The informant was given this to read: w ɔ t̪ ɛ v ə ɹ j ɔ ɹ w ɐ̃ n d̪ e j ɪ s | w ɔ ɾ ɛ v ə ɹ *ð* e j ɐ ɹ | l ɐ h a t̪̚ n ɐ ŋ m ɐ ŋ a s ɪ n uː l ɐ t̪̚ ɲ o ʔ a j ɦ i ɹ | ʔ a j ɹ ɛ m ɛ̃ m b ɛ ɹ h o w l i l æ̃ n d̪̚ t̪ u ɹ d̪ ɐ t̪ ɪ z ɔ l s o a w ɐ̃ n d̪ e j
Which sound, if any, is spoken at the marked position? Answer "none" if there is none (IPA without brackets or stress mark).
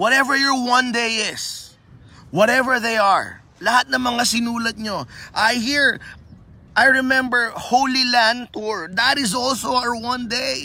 ð